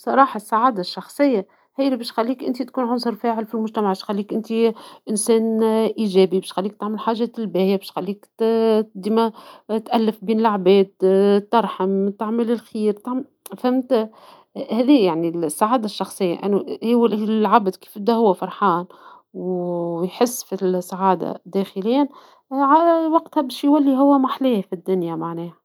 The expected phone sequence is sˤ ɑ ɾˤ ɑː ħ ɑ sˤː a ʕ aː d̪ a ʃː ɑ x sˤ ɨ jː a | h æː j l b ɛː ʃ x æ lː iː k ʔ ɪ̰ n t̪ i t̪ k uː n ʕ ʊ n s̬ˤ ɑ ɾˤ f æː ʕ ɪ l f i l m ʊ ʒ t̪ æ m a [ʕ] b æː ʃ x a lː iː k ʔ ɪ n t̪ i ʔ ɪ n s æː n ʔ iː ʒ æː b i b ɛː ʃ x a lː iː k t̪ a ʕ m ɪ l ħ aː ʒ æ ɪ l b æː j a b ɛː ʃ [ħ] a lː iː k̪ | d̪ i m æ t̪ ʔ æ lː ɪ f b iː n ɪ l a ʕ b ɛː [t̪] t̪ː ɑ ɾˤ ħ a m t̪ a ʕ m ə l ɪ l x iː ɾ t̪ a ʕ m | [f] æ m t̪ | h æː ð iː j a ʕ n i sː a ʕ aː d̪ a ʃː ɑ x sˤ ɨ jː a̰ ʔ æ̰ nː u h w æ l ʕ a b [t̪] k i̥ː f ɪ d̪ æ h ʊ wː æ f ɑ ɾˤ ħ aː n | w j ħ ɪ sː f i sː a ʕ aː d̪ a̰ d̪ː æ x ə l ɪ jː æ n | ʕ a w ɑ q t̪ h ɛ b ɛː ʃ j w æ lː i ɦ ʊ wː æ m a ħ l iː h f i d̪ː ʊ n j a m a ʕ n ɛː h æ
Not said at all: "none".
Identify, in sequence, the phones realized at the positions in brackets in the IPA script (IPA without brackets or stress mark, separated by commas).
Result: ʕ, x, d̪, f, d̪